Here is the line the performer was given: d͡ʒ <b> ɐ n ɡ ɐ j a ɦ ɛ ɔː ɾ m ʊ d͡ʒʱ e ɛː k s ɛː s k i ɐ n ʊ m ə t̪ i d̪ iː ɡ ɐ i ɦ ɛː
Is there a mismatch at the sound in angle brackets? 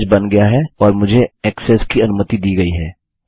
no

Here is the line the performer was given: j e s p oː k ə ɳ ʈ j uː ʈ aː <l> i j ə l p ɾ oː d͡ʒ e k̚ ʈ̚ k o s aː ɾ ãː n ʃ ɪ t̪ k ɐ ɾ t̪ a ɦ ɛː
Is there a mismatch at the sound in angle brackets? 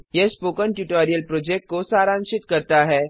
yes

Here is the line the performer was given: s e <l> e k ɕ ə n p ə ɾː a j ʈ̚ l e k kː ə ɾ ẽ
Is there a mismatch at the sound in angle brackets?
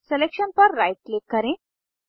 no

